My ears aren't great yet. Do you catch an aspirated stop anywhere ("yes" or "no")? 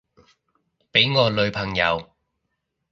yes